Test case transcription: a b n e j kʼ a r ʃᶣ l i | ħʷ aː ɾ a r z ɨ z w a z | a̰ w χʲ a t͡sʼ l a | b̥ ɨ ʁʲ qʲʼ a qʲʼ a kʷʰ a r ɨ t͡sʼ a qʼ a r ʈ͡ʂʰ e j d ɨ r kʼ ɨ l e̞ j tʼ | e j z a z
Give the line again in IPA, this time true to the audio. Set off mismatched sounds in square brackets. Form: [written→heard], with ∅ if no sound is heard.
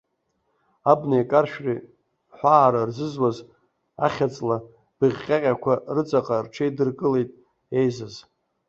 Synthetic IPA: a b n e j kʼ a r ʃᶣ [l→r] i | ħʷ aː ɾ a r z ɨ z w a z | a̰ [w→∅] χʲ a t͡sʼ l a | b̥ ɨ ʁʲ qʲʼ a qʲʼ a kʷʰ a r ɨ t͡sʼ a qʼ a r ʈ͡ʂʰ e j d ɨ r kʼ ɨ l e̞ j tʼ | e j z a z